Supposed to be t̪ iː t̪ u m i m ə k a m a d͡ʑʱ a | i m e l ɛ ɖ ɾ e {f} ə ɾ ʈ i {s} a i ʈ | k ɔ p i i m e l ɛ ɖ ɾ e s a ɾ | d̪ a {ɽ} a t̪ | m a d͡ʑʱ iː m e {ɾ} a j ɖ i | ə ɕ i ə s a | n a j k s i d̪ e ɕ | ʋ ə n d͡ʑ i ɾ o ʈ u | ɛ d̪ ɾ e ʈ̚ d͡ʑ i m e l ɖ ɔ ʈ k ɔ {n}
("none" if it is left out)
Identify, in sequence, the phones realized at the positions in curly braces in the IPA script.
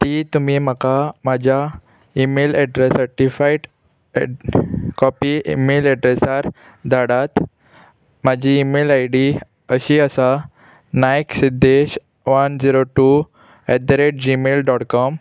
s, f, ɽ, l, m

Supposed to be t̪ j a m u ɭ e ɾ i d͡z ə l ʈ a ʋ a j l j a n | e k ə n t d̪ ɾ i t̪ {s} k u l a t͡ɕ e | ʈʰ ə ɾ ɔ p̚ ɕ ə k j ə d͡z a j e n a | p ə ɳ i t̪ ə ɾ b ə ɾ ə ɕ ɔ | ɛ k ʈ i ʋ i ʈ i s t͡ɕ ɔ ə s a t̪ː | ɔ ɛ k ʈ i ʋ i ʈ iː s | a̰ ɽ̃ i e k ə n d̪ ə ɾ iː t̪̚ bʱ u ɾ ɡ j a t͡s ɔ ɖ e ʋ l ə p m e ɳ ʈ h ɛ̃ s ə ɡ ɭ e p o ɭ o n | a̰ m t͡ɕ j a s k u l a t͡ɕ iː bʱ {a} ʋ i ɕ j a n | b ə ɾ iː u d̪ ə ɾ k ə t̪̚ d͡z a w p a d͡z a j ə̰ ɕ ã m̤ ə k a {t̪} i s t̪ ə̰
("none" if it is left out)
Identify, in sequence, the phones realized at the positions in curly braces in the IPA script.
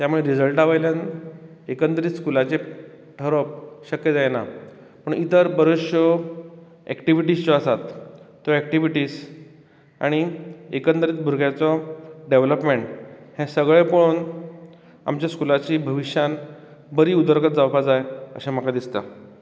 s, ə, d̪

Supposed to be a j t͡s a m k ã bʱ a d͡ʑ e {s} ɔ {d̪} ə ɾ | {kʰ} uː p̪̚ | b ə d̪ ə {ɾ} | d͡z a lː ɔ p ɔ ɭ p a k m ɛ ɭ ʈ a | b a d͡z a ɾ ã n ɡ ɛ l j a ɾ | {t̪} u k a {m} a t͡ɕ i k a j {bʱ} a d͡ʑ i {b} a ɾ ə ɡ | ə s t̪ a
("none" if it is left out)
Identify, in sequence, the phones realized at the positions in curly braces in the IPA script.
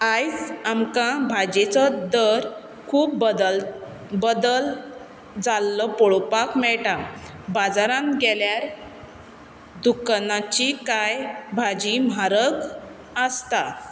t͡s, d̪, kʰ, l, d̪, n, bʱ, m

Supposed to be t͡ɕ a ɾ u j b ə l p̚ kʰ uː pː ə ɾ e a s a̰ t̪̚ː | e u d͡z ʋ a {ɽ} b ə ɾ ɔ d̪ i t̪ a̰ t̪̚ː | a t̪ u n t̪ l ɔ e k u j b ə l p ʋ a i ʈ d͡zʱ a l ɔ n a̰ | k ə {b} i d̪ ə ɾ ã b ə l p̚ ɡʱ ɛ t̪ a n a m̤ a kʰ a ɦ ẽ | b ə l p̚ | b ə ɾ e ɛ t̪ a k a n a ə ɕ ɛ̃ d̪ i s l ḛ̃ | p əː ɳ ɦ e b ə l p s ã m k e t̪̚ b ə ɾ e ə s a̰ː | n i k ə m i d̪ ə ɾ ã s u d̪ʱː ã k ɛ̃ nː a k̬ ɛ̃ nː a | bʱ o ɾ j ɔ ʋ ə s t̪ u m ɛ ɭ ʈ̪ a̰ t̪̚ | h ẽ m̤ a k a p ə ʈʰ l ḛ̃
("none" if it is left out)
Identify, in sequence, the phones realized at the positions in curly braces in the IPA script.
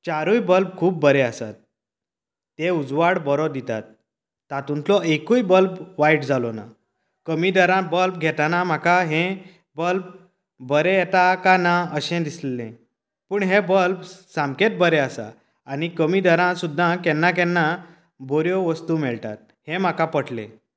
ɽ, m

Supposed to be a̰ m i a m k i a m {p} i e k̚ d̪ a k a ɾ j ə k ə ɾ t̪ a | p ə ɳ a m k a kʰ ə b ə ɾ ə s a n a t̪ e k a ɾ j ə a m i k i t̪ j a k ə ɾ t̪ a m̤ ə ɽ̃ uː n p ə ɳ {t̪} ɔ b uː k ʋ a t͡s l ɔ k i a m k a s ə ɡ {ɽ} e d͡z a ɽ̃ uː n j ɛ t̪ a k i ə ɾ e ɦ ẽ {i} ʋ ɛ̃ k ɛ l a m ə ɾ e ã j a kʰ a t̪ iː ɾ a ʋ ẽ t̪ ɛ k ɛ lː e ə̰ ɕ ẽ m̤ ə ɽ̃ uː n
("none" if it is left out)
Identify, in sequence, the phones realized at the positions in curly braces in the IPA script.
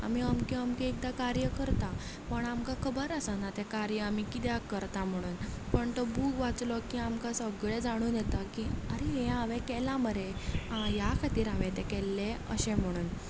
k, t̪, ɭ, a

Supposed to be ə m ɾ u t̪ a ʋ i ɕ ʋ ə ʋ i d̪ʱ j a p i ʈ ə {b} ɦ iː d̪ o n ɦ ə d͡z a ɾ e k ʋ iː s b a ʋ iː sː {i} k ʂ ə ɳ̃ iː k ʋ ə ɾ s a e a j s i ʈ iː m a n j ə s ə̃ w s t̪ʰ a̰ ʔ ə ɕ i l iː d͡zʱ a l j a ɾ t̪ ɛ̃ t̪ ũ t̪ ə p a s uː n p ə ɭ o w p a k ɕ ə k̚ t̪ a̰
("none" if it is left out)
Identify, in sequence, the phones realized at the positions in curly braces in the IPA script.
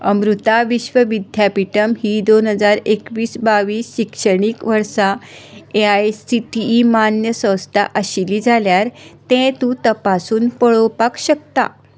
m, i

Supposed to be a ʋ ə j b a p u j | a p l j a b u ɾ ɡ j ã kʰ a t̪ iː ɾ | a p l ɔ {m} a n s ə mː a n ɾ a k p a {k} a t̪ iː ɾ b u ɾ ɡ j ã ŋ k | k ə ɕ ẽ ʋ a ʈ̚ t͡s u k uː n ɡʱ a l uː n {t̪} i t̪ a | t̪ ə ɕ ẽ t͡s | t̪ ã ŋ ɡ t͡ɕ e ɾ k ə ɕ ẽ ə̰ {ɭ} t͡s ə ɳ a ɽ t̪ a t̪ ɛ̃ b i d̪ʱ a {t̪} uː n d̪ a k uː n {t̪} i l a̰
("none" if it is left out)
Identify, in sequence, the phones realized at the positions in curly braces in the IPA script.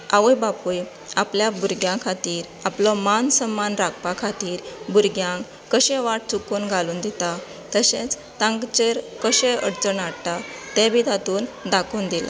m, kʰ, d̪, ɽ, t̪, d̪

